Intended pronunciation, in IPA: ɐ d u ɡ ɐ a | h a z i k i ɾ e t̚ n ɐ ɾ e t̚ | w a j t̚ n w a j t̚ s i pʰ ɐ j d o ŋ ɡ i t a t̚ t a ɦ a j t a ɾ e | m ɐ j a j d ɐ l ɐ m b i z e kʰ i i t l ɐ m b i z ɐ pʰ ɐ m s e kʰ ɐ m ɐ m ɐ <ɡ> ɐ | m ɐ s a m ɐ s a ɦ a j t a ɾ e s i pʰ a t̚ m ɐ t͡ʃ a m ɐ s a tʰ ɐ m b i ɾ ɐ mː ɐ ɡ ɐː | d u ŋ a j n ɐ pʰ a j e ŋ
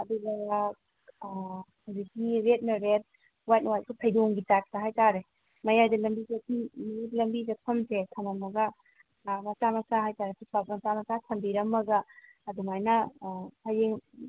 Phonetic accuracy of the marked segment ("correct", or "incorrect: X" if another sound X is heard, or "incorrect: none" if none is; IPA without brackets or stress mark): correct